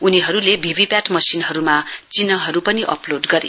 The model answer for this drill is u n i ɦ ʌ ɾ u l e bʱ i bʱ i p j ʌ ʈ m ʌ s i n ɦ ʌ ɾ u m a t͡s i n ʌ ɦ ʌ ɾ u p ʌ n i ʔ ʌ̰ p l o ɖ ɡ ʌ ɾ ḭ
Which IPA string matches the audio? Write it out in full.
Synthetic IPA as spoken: u n i ɦ ʌ ɾ u l e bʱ i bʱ i p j a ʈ m ʌ s i n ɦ ʌ ɾ u m a t͡s i n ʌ ɦ ʌ ɾ u p ʌ n i ʔ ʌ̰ p l o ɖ ɡ ʌ ɾ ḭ